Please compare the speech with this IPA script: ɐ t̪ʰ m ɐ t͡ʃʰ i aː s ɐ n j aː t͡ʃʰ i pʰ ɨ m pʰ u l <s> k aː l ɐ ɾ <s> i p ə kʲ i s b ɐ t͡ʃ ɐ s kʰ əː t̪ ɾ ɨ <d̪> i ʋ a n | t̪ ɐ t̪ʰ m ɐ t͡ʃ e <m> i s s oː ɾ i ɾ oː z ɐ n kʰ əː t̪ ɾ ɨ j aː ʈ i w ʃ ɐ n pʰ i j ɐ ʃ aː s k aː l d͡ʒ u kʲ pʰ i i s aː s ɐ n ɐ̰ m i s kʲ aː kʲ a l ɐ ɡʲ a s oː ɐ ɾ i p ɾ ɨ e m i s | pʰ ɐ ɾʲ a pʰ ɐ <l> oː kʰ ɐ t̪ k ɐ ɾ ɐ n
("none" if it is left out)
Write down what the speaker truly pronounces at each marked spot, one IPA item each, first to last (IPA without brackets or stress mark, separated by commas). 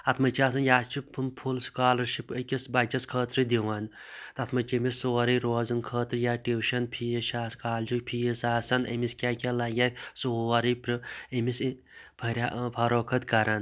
s, ʃ, d̪, m, ɾ